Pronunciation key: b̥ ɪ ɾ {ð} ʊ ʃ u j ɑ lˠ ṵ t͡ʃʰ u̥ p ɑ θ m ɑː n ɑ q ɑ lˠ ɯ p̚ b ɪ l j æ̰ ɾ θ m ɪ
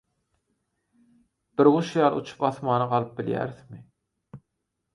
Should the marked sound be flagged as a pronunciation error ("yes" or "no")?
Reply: yes